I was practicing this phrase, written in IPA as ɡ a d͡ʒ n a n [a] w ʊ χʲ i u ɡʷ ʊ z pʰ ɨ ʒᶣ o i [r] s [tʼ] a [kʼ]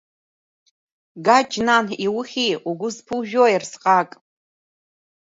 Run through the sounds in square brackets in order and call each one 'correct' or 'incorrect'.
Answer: incorrect, correct, incorrect, correct

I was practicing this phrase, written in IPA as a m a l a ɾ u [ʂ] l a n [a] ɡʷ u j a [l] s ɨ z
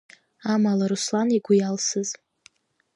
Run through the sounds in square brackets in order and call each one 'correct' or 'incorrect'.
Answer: incorrect, incorrect, correct

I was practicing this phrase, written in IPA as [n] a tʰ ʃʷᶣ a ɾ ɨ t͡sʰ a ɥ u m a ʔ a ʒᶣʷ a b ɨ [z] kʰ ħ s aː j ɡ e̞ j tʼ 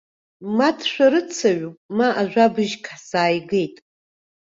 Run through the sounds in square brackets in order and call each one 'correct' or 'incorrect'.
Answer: incorrect, incorrect

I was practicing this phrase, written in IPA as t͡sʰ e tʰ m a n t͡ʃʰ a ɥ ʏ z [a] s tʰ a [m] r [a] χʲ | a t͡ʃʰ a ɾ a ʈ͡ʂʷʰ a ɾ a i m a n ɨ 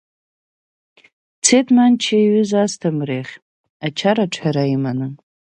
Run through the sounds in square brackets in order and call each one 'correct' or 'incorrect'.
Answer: correct, correct, incorrect

